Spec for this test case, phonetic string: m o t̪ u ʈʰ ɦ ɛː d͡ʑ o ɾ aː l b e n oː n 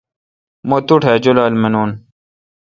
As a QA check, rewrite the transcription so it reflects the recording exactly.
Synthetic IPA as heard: m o t̪ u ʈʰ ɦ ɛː d͡ʑ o l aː l m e n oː n

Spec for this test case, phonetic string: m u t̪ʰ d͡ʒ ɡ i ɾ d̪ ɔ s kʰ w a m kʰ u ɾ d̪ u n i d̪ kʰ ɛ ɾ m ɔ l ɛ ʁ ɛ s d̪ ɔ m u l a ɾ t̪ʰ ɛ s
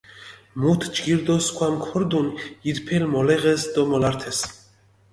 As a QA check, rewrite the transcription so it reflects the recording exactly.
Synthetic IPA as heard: m u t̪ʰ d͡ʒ ɡ i ɾ d̪ ɔ s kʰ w a m kʰ ɔ ɾ d̪ u n i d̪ pʰ ɛ l m ɔ l ɛ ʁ ɛ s d̪ ɔ m ɔ l a ɾ t̪ʰ ɛ s

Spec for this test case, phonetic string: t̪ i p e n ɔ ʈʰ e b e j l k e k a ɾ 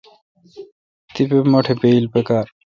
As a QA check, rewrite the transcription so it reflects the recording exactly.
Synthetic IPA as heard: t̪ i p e m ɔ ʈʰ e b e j l p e k a ɾ

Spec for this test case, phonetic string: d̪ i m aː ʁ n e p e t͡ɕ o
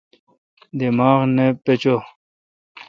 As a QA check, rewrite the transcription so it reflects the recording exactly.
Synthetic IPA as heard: d̪ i m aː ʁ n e p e t͡ɕ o

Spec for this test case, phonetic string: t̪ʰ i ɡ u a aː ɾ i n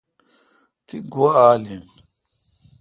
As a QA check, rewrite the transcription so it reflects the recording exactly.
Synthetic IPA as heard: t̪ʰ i ɡ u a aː l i n

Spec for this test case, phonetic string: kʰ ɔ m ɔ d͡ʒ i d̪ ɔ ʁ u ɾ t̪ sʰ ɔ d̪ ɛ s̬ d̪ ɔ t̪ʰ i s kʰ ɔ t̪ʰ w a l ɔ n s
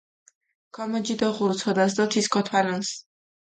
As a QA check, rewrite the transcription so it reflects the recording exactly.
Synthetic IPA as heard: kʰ ɔ m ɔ d͡ʒ i d̪ ɔ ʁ u ɾ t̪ sʰ ɔ d̪ a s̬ d̪ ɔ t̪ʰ i s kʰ ɔ t̪ʰ w a l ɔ n s

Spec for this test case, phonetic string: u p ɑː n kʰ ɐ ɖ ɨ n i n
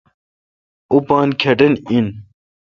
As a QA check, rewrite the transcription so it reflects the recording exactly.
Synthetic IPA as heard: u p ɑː n kʰ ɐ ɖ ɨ n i n

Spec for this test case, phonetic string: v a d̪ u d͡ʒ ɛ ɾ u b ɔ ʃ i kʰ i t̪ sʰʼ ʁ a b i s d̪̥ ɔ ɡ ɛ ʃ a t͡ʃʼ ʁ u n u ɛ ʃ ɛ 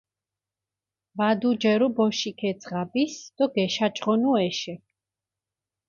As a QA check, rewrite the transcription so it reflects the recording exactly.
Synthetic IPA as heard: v a d̪ u d͡ʒ ɛ ɾ u b ɔ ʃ i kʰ ɛ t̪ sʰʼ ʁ a b i s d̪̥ ɔ ɡ ɛ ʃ a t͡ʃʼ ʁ ɔ n u ɛ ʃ ɛ

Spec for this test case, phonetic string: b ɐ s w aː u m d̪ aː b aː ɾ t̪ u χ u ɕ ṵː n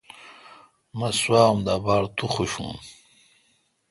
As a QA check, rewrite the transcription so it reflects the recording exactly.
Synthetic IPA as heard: m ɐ s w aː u m d̪ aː b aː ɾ t̪ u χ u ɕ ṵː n

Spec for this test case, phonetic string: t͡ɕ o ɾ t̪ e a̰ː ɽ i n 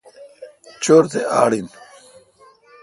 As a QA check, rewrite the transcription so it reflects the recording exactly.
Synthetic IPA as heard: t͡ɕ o ɾ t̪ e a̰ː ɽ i n

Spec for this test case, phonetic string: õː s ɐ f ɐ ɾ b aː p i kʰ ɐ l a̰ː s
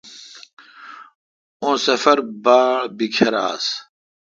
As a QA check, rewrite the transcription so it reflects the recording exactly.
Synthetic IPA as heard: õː s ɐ f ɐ ɾ b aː b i kʰ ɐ ɾ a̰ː s

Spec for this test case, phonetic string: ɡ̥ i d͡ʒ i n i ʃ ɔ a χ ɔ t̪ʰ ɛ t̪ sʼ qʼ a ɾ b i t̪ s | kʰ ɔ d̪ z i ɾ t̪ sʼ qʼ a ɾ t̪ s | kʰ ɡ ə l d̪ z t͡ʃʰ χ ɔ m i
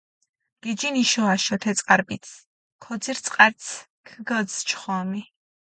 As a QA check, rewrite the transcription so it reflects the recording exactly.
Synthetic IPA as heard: ɡ̥ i d͡ʒ i n i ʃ ɔ a ʃ ɔ t̪ʰ ɛ t̪ sʼ qʼ a ɾ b i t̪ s | kʰ ɔ d̪ z i ɾ t̪ sʼ qʼ a ɾ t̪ s | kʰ ɡ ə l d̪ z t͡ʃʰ χ ɔ m i

